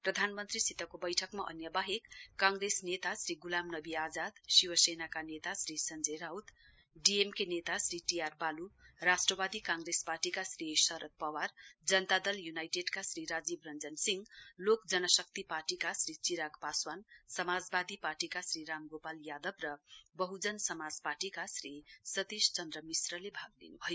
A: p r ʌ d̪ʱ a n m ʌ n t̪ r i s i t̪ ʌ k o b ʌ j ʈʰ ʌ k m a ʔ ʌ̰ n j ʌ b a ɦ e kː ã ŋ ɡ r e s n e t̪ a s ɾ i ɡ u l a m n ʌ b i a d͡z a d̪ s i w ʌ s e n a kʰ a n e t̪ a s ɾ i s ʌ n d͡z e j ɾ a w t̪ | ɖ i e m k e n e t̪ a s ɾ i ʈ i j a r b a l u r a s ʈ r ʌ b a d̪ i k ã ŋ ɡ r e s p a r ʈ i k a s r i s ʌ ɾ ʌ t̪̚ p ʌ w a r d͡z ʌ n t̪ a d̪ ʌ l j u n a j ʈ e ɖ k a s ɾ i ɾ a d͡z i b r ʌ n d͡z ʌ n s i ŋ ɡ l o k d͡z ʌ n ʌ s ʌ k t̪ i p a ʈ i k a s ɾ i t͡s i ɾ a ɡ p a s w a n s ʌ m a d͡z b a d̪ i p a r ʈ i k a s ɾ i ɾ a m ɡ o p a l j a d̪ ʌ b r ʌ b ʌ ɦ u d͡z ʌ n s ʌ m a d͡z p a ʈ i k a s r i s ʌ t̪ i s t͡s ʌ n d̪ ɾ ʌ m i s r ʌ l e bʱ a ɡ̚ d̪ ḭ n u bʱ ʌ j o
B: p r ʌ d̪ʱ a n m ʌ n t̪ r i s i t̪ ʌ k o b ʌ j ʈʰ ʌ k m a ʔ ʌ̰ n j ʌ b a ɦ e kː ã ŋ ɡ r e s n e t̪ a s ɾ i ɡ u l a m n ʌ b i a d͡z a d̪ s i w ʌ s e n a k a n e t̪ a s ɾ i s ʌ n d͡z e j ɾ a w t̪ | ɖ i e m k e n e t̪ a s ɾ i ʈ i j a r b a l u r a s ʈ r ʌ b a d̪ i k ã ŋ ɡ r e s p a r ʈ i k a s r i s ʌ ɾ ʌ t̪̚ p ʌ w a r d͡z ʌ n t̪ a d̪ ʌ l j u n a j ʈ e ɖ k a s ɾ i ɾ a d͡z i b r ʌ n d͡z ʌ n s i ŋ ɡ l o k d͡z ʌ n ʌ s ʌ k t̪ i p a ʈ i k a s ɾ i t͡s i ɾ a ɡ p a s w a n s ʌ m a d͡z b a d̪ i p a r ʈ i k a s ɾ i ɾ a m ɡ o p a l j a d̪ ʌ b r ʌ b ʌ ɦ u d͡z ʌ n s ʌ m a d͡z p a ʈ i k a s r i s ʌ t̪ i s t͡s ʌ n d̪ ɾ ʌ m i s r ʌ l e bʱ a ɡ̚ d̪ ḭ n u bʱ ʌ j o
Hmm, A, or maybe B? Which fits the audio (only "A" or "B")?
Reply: B